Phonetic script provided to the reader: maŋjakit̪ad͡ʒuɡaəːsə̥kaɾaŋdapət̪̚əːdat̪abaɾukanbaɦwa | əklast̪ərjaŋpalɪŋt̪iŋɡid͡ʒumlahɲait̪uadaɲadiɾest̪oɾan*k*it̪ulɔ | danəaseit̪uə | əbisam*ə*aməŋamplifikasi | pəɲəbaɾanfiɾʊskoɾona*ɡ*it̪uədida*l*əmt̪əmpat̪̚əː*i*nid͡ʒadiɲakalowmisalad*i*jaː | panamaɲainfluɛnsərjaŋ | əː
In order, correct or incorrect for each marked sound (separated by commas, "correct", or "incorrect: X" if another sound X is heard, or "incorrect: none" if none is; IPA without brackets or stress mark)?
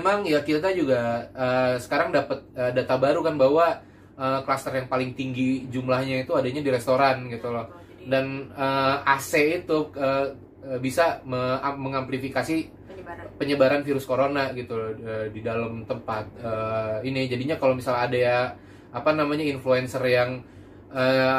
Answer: incorrect: ɡ, correct, correct, correct, correct, incorrect: a